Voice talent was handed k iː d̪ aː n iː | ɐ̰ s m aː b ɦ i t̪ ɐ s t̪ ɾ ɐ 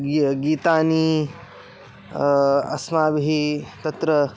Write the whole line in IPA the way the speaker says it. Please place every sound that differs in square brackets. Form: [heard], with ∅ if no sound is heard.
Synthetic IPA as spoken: [ɡ] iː [t̪] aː n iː | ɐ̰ s m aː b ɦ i t̪ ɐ [∅] t̪ ɾ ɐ

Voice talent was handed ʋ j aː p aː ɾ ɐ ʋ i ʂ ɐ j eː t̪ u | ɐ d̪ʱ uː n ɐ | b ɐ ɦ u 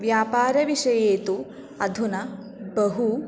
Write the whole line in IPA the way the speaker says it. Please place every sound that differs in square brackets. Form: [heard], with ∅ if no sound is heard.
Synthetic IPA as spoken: ʋ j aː p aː ɾ ɐ ʋ i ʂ ɐ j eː t̪ u | ɐ d̪ʱ [u] n ɐ | b ɐ ɦ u

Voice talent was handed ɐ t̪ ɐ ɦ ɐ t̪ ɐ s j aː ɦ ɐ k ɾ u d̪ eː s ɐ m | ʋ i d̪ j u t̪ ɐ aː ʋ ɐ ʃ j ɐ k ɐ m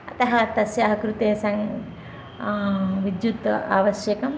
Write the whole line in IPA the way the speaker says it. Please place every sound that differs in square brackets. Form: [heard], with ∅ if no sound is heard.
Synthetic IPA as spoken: ɐ t̪ ɐ ɦ ɐ t̪ ɐ s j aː ɦ ɐ k ɾ u [t̪] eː s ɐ [ŋ] | ʋ i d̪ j u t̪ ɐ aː ʋ ɐ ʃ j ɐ k ɐ m

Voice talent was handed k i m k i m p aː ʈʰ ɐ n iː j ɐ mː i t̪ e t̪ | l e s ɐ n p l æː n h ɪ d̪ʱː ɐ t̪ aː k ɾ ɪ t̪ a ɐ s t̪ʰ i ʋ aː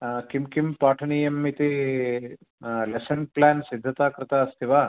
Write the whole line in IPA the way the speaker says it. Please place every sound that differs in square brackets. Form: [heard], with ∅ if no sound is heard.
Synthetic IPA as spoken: k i m k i m p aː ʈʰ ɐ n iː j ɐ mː i t̪ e [∅] | l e s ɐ n p l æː n [s] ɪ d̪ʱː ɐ t̪ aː k ɾ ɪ t̪ a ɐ s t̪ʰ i ʋ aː

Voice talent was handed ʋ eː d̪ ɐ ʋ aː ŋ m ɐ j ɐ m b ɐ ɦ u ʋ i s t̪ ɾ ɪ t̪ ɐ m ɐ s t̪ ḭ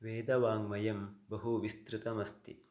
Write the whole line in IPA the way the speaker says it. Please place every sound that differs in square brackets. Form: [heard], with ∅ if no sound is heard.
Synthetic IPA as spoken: ʋ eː d̪ ɐ ʋ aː ŋ m ɐ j ɐ m b ɐ ɦ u ʋ i s t̪ ɾ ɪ t̪ ɐ m ɐ s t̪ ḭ

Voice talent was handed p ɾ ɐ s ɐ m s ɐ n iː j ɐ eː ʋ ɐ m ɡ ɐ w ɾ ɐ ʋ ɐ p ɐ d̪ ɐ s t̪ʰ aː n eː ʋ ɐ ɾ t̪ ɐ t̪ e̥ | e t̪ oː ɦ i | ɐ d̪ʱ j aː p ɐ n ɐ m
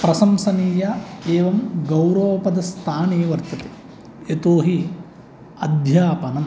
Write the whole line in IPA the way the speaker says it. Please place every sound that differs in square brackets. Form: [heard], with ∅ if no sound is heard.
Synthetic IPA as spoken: p ɾ ɐ s ɐ m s ɐ n iː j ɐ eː ʋ ɐ m ɡ ɐ w ɾ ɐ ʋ ɐ p ɐ d̪ ɐ s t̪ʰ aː n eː ʋ ɐ ɾ t̪ ɐ t̪ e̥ | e t̪ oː ɦ i | ɐ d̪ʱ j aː p ɐ n ɐ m

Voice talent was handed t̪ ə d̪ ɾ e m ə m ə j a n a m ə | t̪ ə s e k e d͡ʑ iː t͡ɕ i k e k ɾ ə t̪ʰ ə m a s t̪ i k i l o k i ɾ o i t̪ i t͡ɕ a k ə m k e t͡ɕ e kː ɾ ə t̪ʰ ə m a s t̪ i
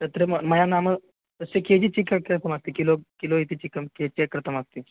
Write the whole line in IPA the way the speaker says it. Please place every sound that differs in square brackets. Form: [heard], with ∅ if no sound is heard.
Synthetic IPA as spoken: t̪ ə [t̪] ɾ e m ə m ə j a n a m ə | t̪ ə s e k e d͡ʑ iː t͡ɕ i k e k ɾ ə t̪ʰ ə m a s t̪ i k i l o k i [l] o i t̪ i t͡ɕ [i] k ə m k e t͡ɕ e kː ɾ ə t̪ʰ ə m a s t̪ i

